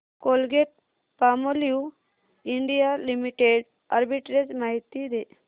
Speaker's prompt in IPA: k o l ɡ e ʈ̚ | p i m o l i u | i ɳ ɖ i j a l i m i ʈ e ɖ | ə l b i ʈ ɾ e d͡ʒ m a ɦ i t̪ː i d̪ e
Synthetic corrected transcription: k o l ɡ e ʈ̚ | p a m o l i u | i ɳ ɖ i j a l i m i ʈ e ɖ | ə ɾ b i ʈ ɾ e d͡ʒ m a ɦ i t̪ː i d̪ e